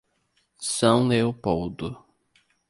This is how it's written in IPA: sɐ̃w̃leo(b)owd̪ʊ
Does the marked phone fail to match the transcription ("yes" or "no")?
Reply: yes